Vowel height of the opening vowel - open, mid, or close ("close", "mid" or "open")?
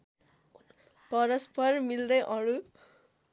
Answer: mid